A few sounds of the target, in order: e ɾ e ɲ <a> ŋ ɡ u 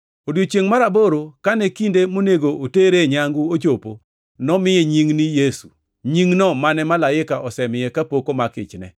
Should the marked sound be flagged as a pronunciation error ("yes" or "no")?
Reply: no